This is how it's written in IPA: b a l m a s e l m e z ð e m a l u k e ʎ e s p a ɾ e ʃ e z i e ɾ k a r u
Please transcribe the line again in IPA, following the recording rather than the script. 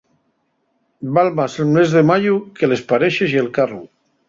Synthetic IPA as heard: b a l m a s e l m e z ð e m a ʎ u k e l e s p a ɾ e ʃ e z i e l k a r u